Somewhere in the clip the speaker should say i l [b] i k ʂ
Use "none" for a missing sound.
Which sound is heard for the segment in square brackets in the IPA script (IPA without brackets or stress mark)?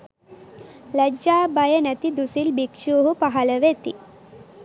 b